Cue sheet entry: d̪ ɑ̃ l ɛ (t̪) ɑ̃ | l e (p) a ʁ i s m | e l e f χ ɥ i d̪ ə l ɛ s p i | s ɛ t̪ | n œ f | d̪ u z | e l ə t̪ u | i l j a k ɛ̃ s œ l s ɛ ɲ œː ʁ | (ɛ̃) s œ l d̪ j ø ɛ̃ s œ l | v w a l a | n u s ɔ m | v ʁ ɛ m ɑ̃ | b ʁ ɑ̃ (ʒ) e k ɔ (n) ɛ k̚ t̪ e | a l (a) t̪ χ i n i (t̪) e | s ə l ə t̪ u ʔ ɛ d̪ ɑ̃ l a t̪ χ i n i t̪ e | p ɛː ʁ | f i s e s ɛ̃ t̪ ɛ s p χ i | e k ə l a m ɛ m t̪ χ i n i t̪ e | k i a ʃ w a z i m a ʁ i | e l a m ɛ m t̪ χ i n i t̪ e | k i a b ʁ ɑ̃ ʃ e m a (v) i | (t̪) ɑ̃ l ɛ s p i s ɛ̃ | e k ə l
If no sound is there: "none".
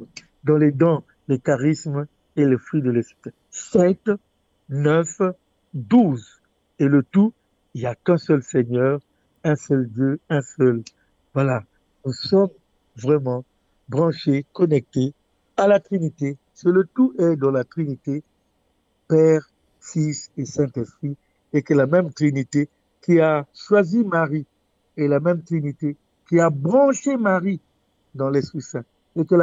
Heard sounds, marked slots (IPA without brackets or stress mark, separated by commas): d̪, k, ɛ̃, ʃ, n, a, t̪, ʁ, d̪